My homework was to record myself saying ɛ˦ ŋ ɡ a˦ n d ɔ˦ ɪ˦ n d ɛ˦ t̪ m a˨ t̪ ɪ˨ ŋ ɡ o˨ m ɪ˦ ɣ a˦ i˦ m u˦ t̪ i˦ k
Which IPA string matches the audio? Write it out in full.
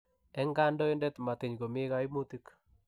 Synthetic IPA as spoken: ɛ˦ ŋ ɡ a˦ n d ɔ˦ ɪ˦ n d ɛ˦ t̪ m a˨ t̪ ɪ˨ ɲ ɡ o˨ m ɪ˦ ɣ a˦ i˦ m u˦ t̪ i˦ k